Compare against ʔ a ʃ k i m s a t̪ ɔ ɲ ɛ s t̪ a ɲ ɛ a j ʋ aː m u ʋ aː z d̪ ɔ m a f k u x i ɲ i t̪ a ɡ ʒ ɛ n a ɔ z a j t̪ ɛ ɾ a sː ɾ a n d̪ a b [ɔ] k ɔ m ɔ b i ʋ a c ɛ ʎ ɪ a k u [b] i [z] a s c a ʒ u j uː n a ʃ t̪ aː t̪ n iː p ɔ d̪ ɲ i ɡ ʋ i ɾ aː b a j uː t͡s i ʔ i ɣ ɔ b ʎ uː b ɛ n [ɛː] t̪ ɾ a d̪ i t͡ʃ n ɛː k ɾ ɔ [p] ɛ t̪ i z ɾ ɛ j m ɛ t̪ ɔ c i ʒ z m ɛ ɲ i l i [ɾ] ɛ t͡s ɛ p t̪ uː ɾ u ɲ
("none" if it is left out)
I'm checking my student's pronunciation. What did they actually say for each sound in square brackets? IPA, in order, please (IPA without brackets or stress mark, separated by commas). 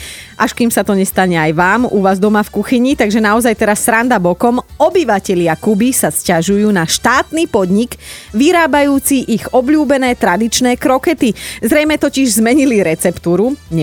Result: ɔ, b, s, ɛː, k, ɾ